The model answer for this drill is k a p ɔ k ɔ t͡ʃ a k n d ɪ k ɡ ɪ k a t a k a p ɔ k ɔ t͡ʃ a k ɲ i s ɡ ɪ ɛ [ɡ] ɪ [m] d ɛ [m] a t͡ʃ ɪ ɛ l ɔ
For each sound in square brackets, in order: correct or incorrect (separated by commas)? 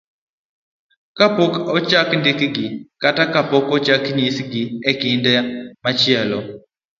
incorrect, incorrect, correct